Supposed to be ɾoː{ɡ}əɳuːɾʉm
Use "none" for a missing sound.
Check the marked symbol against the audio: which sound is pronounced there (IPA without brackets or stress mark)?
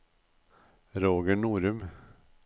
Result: ɡ